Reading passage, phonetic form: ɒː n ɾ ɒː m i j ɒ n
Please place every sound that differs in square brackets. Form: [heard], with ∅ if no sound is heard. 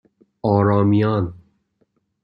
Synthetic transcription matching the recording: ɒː [∅] ɾ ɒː m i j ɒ n